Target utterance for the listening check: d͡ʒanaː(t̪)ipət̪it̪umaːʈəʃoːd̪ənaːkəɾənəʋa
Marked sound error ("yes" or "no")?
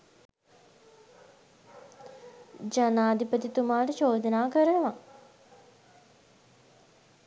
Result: yes